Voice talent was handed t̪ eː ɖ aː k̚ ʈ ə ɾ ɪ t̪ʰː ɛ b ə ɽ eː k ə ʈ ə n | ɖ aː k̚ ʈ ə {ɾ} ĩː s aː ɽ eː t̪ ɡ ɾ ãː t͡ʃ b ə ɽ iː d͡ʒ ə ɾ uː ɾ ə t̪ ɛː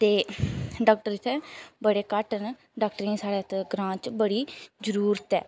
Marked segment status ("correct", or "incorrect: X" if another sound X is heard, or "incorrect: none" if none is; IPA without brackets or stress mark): correct